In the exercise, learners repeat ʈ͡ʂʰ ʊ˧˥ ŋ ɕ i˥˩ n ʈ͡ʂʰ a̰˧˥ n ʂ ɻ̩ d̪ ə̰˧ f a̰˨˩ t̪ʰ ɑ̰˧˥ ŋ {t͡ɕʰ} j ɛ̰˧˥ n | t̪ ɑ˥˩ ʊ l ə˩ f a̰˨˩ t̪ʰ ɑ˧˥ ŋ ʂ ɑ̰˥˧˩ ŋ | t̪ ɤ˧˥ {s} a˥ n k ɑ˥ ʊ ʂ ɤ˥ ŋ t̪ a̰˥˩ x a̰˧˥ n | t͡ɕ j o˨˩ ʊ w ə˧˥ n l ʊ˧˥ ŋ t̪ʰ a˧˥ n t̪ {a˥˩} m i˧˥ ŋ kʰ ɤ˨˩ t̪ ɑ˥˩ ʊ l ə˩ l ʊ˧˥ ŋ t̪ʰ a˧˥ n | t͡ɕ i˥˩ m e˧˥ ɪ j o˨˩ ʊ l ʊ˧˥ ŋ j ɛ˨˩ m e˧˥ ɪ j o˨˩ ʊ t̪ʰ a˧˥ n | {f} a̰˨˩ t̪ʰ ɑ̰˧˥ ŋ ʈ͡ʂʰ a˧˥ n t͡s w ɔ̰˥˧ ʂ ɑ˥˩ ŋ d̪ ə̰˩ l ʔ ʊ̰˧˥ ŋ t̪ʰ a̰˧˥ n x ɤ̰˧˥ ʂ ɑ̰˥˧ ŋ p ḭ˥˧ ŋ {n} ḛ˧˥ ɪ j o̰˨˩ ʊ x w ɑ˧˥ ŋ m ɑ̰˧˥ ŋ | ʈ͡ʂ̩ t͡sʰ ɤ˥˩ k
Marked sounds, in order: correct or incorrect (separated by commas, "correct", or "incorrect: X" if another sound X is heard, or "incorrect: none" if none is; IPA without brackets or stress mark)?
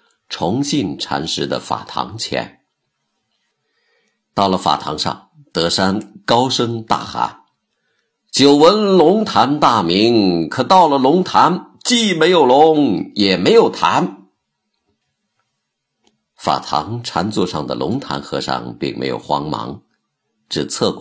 correct, incorrect: ʂ, correct, correct, incorrect: m